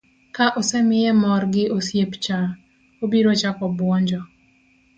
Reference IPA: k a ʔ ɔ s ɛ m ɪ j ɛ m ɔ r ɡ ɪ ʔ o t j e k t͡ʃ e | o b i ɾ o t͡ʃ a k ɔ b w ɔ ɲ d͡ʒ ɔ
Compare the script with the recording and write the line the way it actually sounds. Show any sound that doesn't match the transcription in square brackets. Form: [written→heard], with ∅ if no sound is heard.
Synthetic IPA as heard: k a ʔ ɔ s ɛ m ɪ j ɛ m ɔ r ɡ ɪ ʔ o [t→s] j e [k→p] t͡ʃ [e→a] | o b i ɾ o t͡ʃ a k ɔ b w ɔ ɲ d͡ʒ ɔ

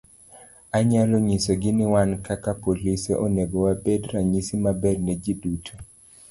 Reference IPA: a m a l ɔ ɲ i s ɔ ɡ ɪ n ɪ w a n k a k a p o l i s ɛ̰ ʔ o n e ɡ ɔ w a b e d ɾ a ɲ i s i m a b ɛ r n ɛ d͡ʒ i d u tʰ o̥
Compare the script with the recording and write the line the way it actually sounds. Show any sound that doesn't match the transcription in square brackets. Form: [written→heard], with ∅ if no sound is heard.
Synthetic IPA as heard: a [m→ɲ] a l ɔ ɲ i s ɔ ɡ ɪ n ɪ w a n k a k a p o l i s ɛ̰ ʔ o n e ɡ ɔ w a b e d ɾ a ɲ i s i m a b ɛ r n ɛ d͡ʒ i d u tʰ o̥

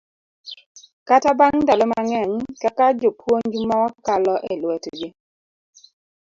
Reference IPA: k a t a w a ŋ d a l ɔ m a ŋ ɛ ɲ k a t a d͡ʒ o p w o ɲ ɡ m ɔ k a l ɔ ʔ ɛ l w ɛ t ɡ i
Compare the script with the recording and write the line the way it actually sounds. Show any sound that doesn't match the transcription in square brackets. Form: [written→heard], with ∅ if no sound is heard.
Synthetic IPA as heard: k a t a [w→b] a ŋ d a l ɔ m a ŋ ɛ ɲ k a [t→k] a d͡ʒ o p w o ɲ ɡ m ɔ k a l ɔ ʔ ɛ l w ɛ t ɡ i

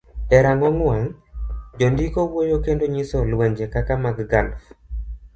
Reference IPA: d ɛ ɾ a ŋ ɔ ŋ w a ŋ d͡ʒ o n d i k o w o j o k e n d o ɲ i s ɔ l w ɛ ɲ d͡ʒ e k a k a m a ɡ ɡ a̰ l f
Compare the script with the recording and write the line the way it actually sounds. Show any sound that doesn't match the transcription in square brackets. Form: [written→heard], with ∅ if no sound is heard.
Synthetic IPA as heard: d ɛ ɾ a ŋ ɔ ŋ w a ŋ d͡ʒ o n d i k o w o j o k e n d o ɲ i s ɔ l w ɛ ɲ d͡ʒ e k a k a m a ɡ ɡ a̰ l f

